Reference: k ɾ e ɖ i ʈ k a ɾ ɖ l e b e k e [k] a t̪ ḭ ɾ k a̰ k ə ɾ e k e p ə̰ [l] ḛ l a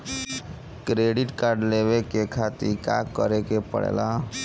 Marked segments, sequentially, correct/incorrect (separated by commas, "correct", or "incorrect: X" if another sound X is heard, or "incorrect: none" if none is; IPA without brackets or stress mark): incorrect: kʰ, incorrect: ɽ